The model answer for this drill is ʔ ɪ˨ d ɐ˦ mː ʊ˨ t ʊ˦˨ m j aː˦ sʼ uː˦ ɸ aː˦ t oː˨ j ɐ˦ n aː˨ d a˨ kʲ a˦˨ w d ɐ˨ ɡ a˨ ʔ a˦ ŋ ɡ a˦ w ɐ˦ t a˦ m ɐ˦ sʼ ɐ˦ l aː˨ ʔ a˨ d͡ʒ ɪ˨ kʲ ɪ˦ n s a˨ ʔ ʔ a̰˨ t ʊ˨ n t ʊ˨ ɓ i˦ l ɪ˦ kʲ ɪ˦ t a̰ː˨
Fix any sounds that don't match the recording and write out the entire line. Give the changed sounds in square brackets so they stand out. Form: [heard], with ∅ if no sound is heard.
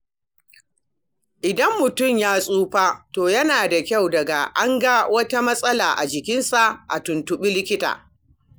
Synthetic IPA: ʔ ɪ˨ d ɐ˦ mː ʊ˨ t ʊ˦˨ m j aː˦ sʼ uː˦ ɸ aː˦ t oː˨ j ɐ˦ n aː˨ d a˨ kʲ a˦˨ w d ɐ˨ ɡ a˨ ʔ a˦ ŋ ɡ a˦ w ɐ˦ t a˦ m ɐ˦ sʼ ɐ˦ l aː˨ ʔ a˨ d͡ʒ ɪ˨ kʲ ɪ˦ n s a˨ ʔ ʔ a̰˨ t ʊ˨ n t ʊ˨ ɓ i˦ l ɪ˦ kʲ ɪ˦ t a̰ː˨